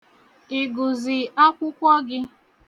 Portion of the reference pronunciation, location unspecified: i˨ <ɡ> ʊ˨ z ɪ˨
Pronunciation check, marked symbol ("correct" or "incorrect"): correct